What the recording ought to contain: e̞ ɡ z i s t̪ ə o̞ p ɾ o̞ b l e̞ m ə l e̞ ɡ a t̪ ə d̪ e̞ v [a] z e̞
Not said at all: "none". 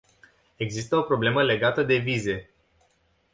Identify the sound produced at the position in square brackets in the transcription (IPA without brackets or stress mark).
i